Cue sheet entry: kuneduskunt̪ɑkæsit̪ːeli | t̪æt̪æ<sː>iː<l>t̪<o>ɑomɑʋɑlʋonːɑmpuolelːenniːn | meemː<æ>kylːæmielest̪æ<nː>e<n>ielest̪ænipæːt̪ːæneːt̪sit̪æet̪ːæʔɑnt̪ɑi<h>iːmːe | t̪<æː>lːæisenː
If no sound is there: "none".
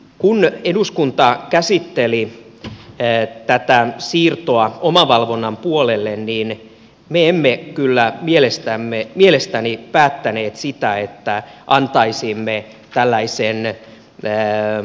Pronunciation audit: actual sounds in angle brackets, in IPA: s, r, o, e, mː, m, s, æ

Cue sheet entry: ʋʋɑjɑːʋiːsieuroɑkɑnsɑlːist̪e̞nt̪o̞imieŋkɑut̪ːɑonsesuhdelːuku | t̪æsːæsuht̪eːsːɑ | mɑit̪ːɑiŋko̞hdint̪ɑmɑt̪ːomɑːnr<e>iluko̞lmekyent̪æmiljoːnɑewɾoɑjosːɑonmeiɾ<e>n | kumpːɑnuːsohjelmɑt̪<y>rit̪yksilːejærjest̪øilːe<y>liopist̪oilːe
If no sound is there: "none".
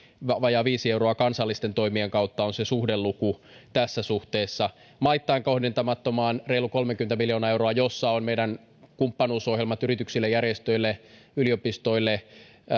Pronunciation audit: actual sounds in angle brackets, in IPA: e, æ, y, y

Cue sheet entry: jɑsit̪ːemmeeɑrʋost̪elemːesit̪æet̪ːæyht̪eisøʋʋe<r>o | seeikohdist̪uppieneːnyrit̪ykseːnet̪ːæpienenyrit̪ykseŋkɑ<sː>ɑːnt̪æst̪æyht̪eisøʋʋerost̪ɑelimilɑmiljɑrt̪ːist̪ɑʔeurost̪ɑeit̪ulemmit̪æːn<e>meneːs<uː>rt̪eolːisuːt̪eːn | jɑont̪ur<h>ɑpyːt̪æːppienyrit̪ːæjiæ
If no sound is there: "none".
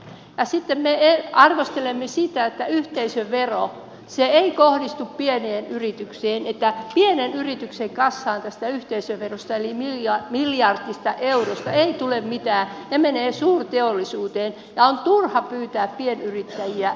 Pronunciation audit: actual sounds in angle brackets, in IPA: r, sː, e, uː, h

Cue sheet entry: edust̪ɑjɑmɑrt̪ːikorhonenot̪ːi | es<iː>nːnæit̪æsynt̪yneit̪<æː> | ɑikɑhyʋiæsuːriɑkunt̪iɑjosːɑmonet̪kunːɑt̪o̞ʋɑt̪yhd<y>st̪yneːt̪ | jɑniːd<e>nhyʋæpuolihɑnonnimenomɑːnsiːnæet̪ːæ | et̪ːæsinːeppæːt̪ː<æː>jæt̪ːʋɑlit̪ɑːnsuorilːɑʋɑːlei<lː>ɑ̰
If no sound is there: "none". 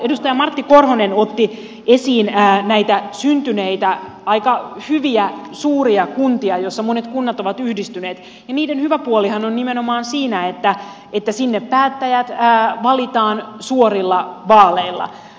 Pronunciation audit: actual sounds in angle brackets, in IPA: iː, æ, i, e, æ, lː

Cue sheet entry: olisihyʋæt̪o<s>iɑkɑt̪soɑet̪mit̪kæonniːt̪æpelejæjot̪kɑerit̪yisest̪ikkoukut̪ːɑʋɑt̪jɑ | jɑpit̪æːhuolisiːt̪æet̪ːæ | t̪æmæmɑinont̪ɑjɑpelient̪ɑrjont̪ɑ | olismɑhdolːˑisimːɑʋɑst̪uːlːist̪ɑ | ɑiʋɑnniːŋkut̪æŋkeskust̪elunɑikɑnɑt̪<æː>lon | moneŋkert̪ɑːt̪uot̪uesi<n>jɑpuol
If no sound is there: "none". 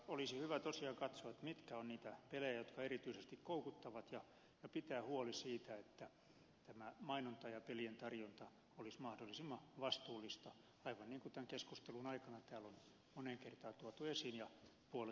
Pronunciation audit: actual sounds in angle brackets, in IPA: s, æː, n

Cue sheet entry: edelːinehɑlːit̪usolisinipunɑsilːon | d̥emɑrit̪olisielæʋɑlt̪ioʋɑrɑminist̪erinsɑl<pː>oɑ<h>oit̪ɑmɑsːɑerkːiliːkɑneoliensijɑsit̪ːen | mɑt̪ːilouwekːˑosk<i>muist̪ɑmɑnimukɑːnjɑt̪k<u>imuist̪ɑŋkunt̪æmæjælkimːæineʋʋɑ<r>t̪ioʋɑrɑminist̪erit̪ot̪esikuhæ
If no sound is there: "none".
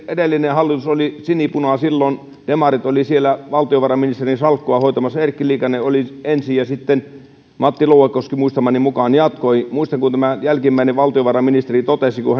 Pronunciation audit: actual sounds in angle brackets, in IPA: kː, h, i, o, l

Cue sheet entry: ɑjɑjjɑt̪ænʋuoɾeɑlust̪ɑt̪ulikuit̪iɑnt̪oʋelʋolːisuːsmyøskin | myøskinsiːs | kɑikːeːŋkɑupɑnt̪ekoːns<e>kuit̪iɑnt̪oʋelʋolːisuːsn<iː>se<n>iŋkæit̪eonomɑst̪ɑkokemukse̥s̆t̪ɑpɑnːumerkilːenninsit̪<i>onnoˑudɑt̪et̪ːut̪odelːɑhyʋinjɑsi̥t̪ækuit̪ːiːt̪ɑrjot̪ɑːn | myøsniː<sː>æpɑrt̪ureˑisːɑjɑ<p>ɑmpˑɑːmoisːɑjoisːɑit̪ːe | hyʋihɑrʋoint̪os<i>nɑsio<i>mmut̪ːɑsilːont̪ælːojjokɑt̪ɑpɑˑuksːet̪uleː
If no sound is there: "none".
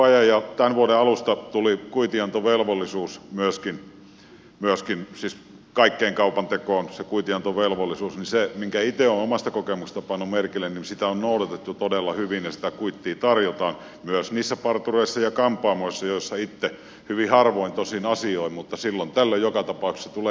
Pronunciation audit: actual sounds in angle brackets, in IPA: e, i, m, æ, sː, k, i, i

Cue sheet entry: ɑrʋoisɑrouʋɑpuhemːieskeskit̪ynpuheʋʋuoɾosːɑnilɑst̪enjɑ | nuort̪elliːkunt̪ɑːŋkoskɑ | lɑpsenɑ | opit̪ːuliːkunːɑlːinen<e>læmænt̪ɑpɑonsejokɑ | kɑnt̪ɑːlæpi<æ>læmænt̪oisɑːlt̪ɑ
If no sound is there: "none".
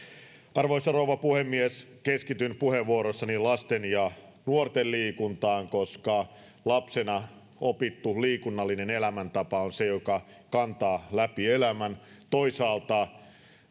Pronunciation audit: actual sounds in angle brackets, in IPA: e, e

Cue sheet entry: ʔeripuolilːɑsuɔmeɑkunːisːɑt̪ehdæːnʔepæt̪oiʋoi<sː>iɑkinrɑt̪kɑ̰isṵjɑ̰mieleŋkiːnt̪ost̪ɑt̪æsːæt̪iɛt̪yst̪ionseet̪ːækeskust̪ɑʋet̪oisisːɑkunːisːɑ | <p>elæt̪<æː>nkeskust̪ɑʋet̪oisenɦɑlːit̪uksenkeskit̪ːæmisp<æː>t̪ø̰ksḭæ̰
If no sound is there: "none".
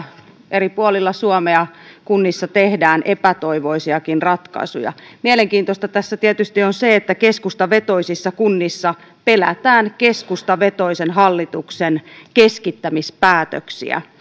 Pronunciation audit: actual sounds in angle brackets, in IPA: s, p, æː, æː

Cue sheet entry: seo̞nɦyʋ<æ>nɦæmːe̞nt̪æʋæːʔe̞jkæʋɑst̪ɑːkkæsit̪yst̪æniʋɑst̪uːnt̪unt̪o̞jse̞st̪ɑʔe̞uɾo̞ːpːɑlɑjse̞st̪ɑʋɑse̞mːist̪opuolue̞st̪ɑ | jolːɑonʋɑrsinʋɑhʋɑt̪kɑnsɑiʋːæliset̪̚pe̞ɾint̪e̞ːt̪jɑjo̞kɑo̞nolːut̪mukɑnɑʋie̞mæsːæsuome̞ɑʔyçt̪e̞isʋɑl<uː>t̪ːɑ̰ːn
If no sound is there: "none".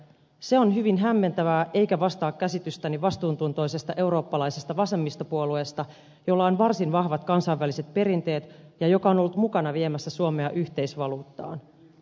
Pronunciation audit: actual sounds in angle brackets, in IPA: i, uː

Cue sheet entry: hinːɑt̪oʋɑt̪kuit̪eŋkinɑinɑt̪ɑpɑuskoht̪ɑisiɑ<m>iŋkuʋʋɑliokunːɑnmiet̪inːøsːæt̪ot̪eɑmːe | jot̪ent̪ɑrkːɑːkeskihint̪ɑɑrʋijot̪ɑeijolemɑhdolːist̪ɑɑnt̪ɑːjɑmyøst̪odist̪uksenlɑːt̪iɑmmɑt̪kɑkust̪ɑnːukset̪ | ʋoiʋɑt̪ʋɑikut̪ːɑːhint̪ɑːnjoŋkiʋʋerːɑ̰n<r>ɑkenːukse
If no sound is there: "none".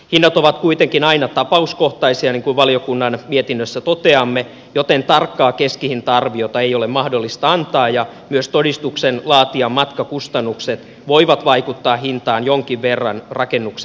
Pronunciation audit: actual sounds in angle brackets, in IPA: n, r

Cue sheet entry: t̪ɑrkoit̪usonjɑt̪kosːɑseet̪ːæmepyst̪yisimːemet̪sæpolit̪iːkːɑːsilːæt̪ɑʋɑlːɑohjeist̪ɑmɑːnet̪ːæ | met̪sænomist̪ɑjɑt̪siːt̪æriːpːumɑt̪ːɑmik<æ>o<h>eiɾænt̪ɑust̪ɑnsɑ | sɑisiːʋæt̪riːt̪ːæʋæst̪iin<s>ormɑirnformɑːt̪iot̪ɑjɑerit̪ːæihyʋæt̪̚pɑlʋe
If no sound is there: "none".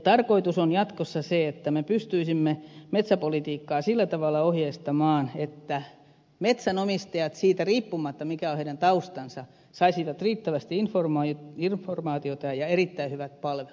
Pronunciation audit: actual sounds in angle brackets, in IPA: æ, h, f

